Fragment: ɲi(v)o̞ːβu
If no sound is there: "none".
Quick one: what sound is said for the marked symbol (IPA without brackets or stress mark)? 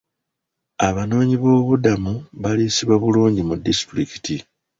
β